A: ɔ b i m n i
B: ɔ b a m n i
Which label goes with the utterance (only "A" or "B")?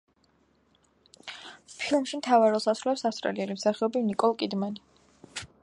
A